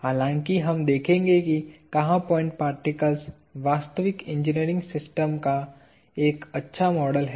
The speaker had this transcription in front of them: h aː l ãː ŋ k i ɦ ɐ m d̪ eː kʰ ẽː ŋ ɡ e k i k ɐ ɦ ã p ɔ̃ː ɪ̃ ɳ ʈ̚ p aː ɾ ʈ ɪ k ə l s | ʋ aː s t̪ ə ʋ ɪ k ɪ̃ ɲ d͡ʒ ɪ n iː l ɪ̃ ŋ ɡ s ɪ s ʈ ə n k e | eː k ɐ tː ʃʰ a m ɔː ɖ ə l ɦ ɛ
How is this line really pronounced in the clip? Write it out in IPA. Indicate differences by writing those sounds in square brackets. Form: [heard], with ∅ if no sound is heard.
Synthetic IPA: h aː l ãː ŋ k i ɦ ɐ m d̪ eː kʰ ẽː ŋ ɡ e k i k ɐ ɦ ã p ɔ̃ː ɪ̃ ɳ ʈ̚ p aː ɾ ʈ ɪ k ə l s | ʋ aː s t̪ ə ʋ ɪ k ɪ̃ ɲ d͡ʒ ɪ n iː [ɾ] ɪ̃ ŋ ɡ s ɪ s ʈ ə [m] k [a] | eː k ɐ tː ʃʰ a m ɔː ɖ ə l ɦ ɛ